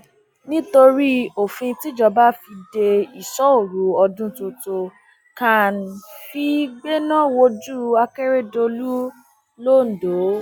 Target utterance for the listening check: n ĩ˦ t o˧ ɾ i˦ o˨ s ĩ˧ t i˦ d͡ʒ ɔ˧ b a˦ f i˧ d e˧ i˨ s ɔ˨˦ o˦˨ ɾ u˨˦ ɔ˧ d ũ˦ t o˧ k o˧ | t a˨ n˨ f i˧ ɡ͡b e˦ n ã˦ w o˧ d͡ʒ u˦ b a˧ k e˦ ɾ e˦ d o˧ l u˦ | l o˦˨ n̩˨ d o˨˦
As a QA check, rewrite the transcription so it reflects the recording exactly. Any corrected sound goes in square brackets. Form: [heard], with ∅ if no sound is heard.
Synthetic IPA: n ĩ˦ t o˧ ɾ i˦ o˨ [f] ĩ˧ t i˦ d͡ʒ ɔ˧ b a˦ f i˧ d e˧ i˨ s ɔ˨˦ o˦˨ ɾ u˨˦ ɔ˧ d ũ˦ t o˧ [t] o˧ | [k] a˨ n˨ f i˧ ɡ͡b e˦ n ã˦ w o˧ d͡ʒ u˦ [∅] a˧ k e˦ ɾ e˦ d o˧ l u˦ | l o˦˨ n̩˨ d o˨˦